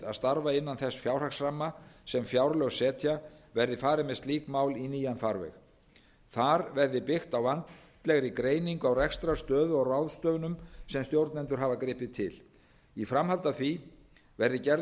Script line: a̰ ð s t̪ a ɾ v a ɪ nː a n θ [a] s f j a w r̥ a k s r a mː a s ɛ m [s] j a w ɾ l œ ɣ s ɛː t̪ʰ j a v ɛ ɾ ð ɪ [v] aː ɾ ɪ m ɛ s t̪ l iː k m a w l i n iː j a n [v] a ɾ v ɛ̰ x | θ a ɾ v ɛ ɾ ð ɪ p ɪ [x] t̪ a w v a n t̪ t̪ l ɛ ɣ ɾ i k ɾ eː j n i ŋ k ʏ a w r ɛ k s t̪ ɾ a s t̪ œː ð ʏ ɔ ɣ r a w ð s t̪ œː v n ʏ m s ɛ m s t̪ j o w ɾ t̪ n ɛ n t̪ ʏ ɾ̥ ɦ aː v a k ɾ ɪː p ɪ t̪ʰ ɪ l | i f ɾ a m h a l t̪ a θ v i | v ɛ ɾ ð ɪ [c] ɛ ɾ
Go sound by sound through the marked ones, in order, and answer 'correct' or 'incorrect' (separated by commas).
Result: incorrect, incorrect, incorrect, incorrect, correct, correct